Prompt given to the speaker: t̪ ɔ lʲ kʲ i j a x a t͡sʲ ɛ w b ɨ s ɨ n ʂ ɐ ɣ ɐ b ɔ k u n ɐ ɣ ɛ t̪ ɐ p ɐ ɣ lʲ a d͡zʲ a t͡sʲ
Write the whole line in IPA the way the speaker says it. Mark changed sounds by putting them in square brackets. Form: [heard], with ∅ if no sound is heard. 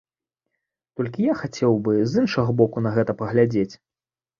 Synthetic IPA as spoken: t̪ ɔ lʲ kʲ i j a x a t͡sʲ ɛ w b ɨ [z] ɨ n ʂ ɐ ɣ ɐ b ɔ k u n ɐ ɣ ɛ t̪ ɐ p ɐ ɣ lʲ a d͡zʲ [e] t͡sʲ

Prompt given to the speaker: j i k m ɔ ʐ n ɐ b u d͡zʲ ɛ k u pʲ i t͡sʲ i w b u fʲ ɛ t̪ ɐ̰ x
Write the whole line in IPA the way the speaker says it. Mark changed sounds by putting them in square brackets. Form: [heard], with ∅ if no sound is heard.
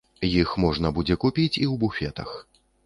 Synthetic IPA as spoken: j i [x] m ɔ ʐ n ɐ b u d͡zʲ ɛ k u pʲ i t͡sʲ i w b u fʲ ɛ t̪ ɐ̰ x

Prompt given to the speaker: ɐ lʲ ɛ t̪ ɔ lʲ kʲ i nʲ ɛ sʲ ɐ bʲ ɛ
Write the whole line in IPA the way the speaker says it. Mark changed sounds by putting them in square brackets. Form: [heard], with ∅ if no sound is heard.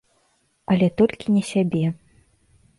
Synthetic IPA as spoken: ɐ lʲ ɛ t̪ ɔ lʲ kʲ i nʲ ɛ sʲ [a] bʲ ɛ

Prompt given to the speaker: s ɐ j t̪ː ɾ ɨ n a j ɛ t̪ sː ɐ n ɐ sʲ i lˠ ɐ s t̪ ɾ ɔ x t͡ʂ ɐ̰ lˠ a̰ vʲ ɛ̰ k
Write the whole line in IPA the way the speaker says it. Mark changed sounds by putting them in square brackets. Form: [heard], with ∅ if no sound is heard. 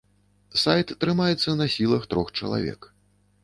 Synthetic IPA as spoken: s [a] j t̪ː ɾ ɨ [m] a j ɛ t̪ sː ɐ n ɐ sʲ i lˠ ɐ [x] t̪ ɾ ɔ x t͡ʂ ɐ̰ lˠ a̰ vʲ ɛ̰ k

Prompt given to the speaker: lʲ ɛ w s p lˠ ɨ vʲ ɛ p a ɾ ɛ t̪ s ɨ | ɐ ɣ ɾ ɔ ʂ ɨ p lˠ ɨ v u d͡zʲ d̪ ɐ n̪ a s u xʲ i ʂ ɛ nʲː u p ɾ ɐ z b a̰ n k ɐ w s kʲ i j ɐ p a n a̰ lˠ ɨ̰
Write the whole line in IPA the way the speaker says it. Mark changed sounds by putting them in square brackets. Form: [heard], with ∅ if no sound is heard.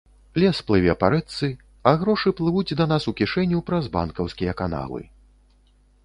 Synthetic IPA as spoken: lʲ ɛ [∅] s p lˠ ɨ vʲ ɛ p a ɾ ɛ t̪ s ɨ | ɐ ɣ ɾ ɔ ʂ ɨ p lˠ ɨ v u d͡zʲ d̪ ɐ n̪ a s u [kʲ] i ʂ ɛ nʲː u p ɾ ɐ z b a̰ n k ɐ w s kʲ i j ɐ [k] a n a̰ lˠ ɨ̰

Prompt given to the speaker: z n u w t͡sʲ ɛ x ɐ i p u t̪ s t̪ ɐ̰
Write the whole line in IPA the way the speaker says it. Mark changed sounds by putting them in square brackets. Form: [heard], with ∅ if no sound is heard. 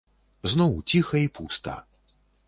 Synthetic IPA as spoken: z n [ɔ] w t͡sʲ [i] x ɐ i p u [∅] s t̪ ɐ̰

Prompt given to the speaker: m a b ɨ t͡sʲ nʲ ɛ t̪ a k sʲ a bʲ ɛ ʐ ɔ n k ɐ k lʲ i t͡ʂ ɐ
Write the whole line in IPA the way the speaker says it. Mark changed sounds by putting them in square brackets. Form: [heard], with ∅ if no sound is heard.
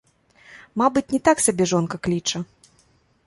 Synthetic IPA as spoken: m a b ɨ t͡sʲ nʲ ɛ t̪ a k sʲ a bʲ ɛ ʐ ɔ n k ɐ k lʲ i t͡ʂ ɐ

